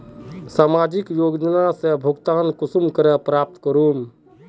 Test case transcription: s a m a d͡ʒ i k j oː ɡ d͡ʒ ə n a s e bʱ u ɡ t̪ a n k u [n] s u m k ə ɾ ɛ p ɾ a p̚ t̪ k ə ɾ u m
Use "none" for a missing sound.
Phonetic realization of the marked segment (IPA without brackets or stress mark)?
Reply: none